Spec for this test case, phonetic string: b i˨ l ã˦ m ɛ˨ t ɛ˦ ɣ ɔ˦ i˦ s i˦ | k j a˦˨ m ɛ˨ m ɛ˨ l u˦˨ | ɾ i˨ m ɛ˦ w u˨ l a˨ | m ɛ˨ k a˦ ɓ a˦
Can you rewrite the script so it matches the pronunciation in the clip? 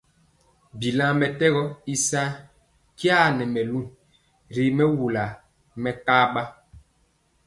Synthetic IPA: b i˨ l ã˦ m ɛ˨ t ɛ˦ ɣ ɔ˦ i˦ s a˦ | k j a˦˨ n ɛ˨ m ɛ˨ l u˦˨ | ɾ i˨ m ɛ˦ w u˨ l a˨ | m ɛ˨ k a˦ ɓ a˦